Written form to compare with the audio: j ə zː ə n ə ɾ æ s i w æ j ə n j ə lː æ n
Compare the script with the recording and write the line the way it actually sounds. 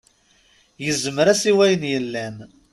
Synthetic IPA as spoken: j ə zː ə m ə ɾ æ s i w æ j ə n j ə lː æ n